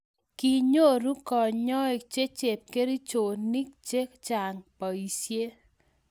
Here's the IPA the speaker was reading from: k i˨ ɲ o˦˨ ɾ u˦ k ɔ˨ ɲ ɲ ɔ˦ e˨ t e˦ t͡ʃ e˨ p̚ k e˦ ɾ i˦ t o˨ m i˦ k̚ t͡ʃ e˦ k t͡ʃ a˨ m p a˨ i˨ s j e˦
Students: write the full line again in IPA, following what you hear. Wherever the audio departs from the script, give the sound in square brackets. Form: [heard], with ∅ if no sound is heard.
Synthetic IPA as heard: k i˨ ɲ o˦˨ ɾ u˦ k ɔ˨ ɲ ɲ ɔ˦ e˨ [t͡ʃ] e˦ t͡ʃ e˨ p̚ k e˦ ɾ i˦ [t͡ʃ] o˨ [n] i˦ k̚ t͡ʃ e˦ k t͡ʃ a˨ [ŋ] p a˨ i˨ s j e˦

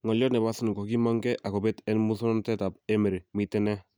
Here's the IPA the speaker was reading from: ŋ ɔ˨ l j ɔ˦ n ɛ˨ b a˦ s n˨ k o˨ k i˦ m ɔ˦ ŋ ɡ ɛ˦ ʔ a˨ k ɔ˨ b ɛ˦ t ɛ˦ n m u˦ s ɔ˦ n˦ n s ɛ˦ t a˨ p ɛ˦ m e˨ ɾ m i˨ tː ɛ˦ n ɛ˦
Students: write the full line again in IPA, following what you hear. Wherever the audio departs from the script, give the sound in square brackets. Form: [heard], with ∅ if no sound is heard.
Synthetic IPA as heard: ŋ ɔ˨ l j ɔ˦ n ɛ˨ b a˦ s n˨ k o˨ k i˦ m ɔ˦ ŋ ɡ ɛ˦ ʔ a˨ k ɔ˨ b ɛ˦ t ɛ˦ n m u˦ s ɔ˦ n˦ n [t] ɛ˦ t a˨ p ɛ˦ m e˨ ɾ m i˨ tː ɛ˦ n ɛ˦

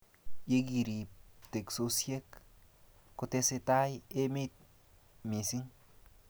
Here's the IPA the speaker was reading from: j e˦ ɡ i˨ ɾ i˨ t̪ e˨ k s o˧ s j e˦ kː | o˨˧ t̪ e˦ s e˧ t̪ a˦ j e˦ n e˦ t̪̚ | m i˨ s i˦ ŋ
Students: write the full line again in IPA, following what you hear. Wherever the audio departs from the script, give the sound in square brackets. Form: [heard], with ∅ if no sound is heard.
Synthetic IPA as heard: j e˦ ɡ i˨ ɾ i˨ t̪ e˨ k s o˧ s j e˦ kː | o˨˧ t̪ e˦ s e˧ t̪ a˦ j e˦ [m] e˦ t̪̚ | m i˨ s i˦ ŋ

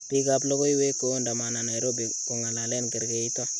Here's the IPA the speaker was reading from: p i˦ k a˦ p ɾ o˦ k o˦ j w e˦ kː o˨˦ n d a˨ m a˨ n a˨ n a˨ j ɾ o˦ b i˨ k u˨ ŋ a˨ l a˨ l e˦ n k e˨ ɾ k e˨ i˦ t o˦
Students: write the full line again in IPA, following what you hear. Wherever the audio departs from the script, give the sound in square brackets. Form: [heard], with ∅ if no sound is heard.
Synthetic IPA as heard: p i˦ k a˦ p [l] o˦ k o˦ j w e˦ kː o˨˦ n d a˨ m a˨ n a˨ n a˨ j ɾ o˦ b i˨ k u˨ ŋ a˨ l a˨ l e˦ n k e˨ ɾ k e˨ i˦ t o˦

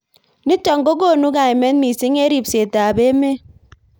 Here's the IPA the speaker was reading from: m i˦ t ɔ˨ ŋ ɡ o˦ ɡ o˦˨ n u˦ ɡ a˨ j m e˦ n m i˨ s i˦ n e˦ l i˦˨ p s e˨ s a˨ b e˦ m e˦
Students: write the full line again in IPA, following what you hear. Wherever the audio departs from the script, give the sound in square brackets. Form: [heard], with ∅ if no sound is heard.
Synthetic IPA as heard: [n] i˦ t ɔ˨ ŋ ɡ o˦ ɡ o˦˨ n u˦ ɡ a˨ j m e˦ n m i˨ s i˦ [ŋ] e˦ [ɾ] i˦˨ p s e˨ [t] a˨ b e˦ m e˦

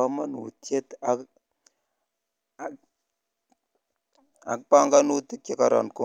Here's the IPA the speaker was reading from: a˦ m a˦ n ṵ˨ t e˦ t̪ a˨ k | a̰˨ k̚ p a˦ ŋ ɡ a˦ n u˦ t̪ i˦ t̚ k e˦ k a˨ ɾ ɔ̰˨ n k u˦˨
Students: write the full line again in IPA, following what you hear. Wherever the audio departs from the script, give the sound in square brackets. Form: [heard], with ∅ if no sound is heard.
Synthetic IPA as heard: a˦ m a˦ n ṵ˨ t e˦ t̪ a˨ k | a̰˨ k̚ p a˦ ŋ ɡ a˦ n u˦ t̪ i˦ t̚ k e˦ k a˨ ɾ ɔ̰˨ n k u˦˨

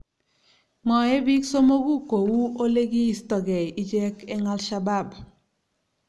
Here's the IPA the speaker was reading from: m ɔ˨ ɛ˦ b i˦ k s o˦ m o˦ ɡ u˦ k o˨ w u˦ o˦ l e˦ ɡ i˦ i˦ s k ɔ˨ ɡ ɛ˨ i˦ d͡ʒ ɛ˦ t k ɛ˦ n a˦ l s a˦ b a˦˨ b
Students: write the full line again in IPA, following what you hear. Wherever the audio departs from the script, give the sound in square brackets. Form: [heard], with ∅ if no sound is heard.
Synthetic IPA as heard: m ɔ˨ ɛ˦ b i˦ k s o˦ m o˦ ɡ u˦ k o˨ w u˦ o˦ l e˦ ɡ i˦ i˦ s [t] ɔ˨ ɡ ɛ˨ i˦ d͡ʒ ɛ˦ [∅] k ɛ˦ [ŋ] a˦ l [ʃ] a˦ b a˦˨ b

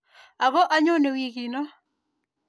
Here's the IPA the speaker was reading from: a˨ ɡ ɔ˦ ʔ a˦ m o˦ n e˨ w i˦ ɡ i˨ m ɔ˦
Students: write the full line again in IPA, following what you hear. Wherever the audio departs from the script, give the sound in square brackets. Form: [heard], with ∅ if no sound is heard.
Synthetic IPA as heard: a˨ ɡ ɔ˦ ʔ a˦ [ɲ] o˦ n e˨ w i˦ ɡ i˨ [n] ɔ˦

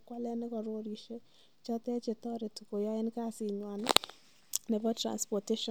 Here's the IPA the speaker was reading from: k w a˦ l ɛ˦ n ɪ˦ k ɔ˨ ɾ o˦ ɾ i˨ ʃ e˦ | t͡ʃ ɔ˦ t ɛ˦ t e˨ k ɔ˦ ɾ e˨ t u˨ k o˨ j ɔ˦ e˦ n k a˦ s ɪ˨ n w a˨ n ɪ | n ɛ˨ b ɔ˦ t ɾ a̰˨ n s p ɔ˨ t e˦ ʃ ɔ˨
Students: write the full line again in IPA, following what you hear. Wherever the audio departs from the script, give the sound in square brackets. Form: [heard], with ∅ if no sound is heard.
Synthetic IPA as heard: k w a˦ l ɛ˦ n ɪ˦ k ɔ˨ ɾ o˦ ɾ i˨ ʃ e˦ | t͡ʃ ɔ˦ t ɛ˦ [t͡ʃ] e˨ [t] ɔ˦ ɾ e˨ t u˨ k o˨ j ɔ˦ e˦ n k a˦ s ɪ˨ [ɲ] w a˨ n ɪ | n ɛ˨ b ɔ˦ t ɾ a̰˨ n s p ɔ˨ t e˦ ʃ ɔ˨

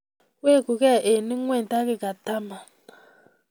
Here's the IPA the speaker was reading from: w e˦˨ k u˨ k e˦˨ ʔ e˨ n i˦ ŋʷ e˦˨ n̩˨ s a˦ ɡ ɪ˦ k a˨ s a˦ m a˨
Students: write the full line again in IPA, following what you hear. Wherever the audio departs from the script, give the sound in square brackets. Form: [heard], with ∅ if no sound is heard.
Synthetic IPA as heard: w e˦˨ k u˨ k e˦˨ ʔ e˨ n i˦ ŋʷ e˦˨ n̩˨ [t] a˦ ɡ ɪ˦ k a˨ [t] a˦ m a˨

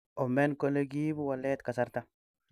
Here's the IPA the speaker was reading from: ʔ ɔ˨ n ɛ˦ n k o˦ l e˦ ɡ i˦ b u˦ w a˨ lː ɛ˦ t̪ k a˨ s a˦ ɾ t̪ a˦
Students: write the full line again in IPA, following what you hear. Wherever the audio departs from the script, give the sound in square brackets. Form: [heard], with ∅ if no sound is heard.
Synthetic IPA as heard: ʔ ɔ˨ [m] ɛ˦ n k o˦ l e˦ ɡ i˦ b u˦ w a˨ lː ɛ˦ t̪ k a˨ s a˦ ɾ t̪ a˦

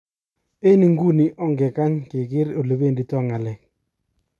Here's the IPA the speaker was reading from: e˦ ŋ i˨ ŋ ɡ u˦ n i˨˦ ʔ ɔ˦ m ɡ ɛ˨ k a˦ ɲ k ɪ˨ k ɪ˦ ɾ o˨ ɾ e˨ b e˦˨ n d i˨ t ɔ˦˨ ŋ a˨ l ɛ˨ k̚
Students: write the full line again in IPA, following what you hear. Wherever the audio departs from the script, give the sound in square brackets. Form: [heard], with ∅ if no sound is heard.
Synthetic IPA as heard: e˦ [n] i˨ ŋ ɡ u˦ n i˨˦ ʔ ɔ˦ [ŋ] ɡ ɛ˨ k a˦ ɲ k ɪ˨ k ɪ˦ ɾ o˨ [l] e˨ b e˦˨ n d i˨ t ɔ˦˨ ŋ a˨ l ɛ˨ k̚

